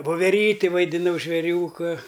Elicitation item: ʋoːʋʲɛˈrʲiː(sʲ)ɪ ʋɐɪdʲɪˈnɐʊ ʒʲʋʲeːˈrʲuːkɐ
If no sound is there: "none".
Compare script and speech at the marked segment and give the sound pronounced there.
tʲ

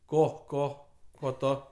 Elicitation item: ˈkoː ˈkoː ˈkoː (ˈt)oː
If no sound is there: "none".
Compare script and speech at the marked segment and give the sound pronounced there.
t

